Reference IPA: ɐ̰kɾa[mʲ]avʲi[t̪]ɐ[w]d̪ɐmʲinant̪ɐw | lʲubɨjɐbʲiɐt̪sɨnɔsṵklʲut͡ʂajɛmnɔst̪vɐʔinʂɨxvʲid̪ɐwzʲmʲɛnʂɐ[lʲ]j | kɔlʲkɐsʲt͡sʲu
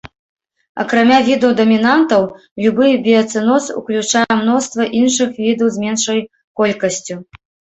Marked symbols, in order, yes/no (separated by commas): yes, no, yes, no